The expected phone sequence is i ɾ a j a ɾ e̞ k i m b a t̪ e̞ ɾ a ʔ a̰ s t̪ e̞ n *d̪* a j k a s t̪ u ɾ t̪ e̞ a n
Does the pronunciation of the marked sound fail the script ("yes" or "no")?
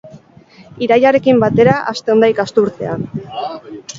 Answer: no